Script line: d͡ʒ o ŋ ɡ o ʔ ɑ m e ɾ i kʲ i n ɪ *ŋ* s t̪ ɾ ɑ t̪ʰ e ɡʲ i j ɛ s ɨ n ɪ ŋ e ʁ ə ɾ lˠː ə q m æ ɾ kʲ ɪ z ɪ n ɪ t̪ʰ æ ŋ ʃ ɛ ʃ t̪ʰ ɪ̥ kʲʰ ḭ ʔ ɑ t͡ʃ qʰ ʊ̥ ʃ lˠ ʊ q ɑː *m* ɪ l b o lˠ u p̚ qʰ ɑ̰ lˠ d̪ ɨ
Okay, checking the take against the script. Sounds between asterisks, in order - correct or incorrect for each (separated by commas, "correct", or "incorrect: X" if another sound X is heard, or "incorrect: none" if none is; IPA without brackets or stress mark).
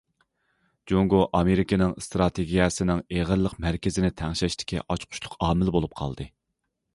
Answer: correct, correct